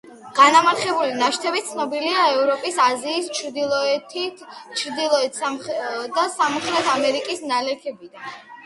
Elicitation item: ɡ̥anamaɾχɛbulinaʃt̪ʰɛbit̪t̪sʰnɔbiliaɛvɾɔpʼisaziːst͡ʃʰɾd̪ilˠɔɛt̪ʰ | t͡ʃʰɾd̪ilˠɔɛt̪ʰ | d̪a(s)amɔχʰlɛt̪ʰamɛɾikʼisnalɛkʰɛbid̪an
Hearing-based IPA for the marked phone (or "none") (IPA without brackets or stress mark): s